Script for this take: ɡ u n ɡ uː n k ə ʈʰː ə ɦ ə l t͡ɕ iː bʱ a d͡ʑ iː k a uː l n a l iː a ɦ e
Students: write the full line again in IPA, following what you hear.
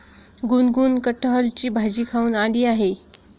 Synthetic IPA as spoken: ɡ u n ɡ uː n k ə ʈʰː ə ɦ ə l t͡ɕ iː bʱ a d͡ʑ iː kʰ a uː n a l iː a ɦ e